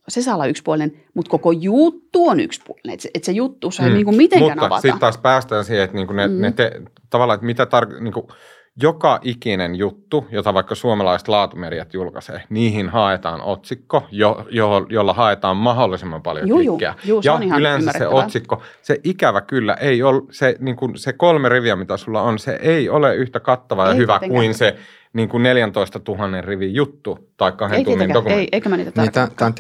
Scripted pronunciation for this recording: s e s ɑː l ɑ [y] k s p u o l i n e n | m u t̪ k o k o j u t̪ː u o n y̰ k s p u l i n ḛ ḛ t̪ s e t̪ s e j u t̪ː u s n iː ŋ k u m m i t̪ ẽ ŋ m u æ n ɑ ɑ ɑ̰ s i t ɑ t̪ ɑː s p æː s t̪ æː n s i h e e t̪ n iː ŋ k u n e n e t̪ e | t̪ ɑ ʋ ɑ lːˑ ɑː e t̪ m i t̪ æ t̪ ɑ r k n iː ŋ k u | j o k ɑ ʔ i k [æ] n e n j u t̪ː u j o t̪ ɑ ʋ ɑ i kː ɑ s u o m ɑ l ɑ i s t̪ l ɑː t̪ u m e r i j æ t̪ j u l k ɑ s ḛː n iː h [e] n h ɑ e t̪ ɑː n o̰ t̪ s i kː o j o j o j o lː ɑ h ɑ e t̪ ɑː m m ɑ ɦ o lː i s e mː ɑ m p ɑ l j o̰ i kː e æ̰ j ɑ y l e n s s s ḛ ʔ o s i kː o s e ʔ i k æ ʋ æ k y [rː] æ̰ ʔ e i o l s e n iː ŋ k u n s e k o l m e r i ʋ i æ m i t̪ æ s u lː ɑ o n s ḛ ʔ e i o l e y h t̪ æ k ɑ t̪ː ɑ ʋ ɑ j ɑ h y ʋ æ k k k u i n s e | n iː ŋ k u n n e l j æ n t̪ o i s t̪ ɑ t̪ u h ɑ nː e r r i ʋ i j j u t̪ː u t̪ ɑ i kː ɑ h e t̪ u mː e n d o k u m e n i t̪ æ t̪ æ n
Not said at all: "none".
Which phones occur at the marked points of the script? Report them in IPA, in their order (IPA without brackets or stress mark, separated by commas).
y, i, i, lː